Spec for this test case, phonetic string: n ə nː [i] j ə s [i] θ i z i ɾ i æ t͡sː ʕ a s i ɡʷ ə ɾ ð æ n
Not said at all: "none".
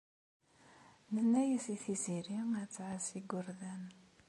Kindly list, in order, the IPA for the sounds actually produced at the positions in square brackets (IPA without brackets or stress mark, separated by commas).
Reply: æ, i